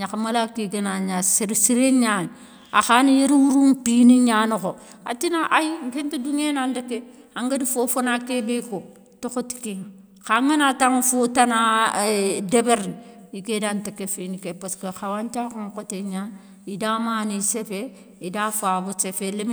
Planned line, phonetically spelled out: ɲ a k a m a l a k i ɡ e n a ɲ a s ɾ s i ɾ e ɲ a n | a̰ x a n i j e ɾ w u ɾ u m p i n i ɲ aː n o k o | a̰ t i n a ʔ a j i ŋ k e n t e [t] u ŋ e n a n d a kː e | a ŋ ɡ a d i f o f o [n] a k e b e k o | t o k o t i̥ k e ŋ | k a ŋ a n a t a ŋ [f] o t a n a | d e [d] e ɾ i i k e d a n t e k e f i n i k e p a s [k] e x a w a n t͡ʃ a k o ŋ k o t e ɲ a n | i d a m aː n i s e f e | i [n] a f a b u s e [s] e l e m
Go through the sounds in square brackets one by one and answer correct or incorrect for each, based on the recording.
incorrect: d, correct, correct, incorrect: b, correct, incorrect: d, incorrect: f

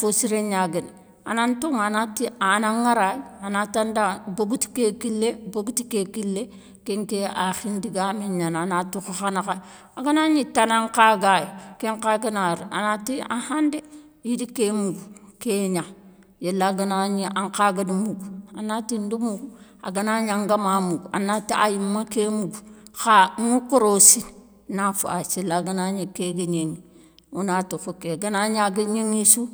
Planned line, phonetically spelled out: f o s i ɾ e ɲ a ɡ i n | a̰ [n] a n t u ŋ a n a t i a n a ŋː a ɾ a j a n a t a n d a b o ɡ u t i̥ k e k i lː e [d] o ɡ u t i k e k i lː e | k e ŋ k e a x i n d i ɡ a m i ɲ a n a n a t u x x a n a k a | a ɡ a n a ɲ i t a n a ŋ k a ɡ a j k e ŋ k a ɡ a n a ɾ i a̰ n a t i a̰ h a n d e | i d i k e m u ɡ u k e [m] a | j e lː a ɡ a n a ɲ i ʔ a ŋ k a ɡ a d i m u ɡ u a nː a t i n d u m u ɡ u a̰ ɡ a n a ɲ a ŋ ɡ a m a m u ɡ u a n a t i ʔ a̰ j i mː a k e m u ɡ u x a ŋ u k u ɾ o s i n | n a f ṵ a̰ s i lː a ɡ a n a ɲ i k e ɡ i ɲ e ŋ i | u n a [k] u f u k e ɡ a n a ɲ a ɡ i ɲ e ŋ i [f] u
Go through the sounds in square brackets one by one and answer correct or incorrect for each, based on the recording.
correct, incorrect: b, incorrect: ɲ, incorrect: t, incorrect: s

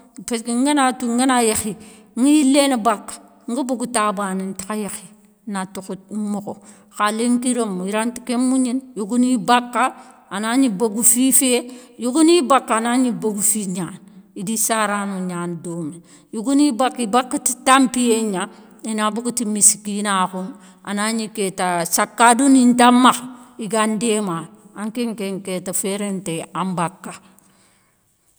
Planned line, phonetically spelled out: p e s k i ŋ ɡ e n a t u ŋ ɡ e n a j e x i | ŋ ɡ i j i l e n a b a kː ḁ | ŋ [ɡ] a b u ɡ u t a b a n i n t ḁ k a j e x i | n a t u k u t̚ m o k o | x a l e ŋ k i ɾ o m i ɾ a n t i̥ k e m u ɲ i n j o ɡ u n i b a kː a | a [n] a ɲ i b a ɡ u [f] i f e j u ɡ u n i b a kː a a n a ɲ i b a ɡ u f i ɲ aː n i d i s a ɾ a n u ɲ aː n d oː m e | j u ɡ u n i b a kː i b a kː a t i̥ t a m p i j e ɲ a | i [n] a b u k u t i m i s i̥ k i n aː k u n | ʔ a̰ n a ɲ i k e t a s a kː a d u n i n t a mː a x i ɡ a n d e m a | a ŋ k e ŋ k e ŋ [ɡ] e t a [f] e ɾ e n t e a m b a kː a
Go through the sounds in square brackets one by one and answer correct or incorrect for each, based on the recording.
correct, correct, correct, correct, incorrect: k, correct

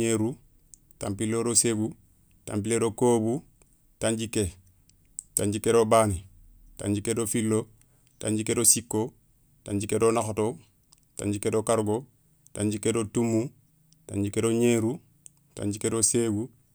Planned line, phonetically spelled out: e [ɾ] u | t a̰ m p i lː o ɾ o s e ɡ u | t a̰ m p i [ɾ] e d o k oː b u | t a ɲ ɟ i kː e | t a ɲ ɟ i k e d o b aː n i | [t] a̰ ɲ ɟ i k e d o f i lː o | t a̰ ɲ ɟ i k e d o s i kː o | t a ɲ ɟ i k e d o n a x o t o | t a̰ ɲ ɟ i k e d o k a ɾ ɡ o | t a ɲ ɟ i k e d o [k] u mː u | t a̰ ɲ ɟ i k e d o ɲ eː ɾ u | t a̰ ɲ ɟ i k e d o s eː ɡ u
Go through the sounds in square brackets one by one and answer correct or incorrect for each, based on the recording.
correct, incorrect: l, correct, incorrect: t

